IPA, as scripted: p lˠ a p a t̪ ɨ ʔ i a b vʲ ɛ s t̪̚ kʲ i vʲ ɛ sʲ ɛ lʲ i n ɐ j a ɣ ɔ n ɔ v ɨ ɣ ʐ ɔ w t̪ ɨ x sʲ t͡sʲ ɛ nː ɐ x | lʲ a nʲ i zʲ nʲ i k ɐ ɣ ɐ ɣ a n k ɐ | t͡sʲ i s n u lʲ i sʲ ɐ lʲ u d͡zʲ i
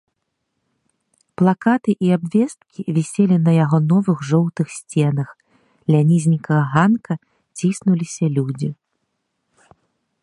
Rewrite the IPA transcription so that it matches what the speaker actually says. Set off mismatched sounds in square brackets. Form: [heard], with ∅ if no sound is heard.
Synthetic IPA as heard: p lˠ a [k] a t̪ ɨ ʔ i a b vʲ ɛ s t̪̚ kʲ i vʲ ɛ sʲ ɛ lʲ i n ɐ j a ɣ ɔ n ɔ v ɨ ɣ ʐ ɔ w t̪ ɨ x sʲ t͡sʲ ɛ [n] ɐ x | lʲ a nʲ i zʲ nʲ i k ɐ ɣ ɐ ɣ a n k ɐ | t͡sʲ i s n u lʲ i sʲ ɐ lʲ u d͡zʲ i